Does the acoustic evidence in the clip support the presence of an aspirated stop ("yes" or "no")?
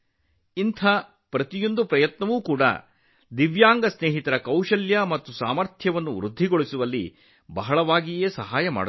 yes